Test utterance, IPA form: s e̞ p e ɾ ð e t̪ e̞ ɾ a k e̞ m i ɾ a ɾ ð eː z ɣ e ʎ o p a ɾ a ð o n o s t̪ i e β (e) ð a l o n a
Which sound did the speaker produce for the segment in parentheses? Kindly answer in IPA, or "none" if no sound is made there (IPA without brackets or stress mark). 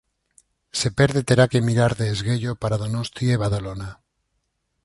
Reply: a